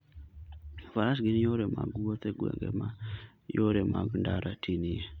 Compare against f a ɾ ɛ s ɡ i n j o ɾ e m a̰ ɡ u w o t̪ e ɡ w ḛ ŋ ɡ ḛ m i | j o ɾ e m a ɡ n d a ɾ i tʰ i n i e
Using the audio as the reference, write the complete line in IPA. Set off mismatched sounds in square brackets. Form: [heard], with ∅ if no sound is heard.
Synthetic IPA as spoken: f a ɾ [a] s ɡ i n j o ɾ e m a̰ ɡ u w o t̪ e ɡ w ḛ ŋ ɡ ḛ m [a] | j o ɾ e m a ɡ n d a ɾ [a] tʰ i n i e